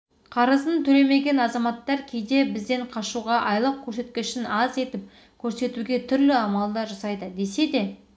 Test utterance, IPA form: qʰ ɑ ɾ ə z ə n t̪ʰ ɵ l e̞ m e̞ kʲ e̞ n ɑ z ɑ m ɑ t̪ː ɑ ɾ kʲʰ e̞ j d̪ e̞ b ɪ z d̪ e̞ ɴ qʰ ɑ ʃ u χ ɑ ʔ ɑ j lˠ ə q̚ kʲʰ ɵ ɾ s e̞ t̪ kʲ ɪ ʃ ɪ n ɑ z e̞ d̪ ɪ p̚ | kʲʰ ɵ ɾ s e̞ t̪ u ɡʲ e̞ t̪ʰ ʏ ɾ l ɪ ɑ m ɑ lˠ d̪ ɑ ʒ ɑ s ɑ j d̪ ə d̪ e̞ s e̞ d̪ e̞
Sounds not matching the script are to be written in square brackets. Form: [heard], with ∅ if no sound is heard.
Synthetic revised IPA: qʰ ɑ ɾ ə z ə n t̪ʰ ɵ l e̞ m e̞ [ɡʲ] e̞ n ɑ z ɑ m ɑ t̪ː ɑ ɾ kʲʰ e̞ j d̪ e̞ b ɪ z d̪ e̞ ɴ qʰ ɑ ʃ u [ʁ] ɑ ʔ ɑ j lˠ ə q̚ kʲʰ ɵ ɾ s e̞ t̪ kʲ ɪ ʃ ɪ n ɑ z e̞ [t̪] ɪ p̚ | kʲʰ ɵ ɾ s e̞ t̪ u ɡʲ e̞ t̪ʰ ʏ ɾ l ɪ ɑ m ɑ lˠ d̪ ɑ ʒ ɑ s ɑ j d̪ ə d̪ e̞ s e̞ d̪ e̞

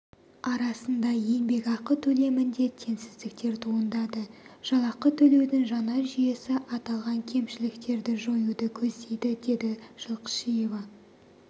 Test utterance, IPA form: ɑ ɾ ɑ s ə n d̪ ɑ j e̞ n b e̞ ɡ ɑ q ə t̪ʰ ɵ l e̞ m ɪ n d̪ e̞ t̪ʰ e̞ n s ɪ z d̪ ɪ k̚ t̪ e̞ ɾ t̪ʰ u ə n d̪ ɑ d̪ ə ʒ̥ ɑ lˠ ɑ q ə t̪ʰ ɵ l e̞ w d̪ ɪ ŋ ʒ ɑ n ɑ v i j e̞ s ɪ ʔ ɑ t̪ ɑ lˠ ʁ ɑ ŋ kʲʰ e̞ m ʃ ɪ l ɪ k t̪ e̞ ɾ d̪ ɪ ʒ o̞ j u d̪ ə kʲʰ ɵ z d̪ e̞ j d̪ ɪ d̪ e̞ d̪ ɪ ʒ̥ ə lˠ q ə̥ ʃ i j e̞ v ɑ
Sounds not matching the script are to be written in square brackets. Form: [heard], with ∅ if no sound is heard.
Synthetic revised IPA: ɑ ɾ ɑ s ə n d̪ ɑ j e̞ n b e̞ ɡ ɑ q ə t̪ʰ ɵ l e̞ m ɪ n d̪ e̞ t̪ʰ e̞ n s ɪ z d̪ ɪ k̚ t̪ e̞ ɾ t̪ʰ u ə n d̪ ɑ d̪ ə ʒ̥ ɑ lˠ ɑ q ə t̪ʰ ɵ l e̞ w d̪ ɪ ŋ ʒ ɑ n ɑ [ʒ] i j e̞ s ɪ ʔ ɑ t̪ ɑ lˠ ʁ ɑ ŋ kʲʰ e̞ m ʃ ɪ l ɪ k t̪ e̞ ɾ d̪ ɪ ʒ o̞ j u d̪ ə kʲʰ ɵ z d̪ e̞ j d̪ ɪ d̪ e̞ d̪ ɪ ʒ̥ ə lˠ q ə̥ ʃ i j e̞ v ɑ

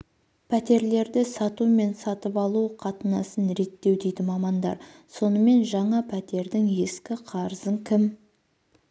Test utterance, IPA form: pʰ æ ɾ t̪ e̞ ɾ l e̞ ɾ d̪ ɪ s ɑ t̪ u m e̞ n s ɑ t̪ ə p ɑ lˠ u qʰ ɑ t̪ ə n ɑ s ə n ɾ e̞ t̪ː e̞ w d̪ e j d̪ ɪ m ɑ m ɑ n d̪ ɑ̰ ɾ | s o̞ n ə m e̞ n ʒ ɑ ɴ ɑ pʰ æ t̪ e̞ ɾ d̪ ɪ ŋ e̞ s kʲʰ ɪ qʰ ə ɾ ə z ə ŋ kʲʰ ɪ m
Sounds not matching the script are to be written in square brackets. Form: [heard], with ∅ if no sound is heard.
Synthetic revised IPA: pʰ æ [∅] t̪ e̞ ɾ l e̞ ɾ d̪ ɪ s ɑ t̪ u m e̞ n s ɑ t̪ ə p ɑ lˠ u qʰ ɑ t̪ ə n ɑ s ə n ɾ e̞ t̪ː e̞ w d̪ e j d̪ ɪ m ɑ m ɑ n d̪ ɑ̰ ɾ | s o̞ n ə m e̞ n ʒ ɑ ɴ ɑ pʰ æ t̪ e̞ ɾ d̪ ɪ ŋ e̞ s [kʲ] ɪ qʰ [ɑ] ɾ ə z ə ŋ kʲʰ ɪ m

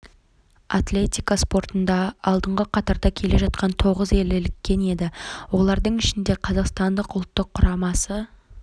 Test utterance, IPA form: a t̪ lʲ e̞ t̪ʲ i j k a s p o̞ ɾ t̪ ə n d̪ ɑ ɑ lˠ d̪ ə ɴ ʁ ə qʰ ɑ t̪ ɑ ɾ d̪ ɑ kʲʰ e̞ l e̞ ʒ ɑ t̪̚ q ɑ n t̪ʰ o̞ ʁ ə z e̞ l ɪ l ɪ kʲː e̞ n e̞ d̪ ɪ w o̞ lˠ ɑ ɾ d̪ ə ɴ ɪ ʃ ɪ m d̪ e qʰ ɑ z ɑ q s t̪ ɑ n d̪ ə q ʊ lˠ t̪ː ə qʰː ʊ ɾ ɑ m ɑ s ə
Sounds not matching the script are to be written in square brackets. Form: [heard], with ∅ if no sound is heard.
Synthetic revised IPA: a t̪ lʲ e̞ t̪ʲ i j k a s p o̞ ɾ t̪ ə n d̪ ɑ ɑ lˠ d̪ ə ɴ ʁ ə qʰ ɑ t̪ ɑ ɾ d̪ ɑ kʲʰ e̞ l e̞ ʒ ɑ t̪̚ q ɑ n t̪ʰ o̞ ʁ ə z e̞ l ɪ l ɪ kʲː e̞ n e̞ d̪ ɪ w o̞ lˠ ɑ ɾ d̪ ə ɴ ɪ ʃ ɪ [n] d̪ e qʰ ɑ z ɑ q s t̪ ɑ n d̪ ə q ʊ lˠ t̪ː ə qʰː ʊ ɾ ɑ m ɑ s ə

